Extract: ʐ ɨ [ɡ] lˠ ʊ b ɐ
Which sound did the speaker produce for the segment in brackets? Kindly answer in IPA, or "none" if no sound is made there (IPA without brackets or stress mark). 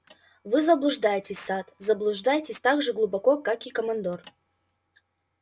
ɡ